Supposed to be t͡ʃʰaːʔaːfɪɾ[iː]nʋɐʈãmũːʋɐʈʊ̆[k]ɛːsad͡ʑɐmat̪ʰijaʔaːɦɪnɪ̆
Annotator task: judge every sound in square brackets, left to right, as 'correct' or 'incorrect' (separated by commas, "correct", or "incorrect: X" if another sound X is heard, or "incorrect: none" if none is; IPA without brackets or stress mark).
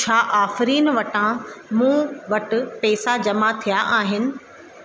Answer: correct, incorrect: p